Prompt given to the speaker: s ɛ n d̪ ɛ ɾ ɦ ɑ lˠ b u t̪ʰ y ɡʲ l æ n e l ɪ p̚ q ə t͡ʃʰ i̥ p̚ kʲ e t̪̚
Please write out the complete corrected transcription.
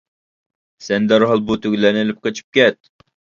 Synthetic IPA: s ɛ n d̪ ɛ ɾ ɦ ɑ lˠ b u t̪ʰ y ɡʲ l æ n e l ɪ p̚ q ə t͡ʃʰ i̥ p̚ kʲ ɛ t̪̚